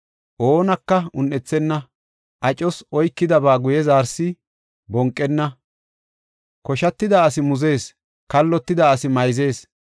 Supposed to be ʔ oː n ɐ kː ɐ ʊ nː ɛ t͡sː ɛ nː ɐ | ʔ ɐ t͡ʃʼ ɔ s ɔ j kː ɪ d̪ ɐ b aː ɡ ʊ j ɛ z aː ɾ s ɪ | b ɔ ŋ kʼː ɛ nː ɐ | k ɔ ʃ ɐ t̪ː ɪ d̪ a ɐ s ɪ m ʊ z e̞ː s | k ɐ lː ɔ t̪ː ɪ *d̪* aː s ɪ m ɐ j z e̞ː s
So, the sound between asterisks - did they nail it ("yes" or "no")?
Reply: yes